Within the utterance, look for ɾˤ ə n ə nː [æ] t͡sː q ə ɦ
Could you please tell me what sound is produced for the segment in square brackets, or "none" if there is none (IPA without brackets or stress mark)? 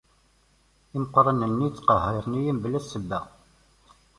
i